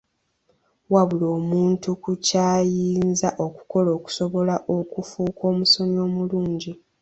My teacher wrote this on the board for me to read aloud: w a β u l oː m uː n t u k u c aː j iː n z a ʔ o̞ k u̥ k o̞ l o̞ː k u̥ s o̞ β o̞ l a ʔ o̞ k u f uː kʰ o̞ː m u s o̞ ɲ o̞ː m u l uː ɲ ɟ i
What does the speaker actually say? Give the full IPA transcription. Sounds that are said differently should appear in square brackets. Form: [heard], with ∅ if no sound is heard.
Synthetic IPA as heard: w a β u l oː m uː n t u k u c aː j iː n z a ʔ o̞ k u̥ k o̞ l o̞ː k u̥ s o̞ β o̞ l a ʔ o̞ k u f uː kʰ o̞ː m u s o̞ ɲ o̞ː m u l uː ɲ ɟ i